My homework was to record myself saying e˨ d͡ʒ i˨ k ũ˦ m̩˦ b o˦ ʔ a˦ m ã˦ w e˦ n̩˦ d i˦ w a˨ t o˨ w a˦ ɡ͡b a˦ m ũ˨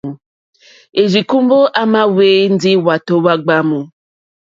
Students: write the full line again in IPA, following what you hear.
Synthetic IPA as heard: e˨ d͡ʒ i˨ k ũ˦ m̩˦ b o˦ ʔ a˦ m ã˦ w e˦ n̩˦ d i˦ w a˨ t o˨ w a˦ ɡ͡b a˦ m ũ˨